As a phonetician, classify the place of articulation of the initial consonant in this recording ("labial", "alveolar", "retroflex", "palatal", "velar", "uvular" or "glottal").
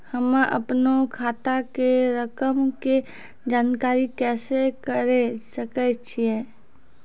glottal